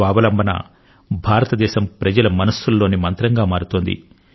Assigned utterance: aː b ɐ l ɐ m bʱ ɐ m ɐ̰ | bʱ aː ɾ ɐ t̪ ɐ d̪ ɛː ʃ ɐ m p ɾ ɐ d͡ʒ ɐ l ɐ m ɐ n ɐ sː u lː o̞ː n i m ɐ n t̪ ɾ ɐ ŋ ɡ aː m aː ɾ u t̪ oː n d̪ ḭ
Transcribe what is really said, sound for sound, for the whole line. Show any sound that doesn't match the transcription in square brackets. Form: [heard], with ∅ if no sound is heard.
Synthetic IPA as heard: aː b ɐ l ɐ m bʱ ɐ [n] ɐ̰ | bʱ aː ɾ ɐ t̪ ɐ d̪ ɛː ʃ ɐ m p ɾ ɐ d͡ʒ ɐ l ɐ m ɐ n ɐ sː u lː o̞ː n i m ɐ n t̪ ɾ ɐ ŋ ɡ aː m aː ɾ u t̪ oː n d̪ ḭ